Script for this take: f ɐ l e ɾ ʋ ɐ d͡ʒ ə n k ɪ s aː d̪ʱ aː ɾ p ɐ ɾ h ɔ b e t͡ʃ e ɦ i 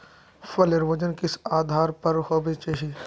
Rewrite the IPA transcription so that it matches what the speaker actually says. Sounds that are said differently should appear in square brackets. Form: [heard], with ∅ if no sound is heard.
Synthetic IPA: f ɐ l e ɾ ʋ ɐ d͡ʒ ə n k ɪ s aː d̪ʱ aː ɾ p ɐ ɾ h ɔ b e t͡ʃ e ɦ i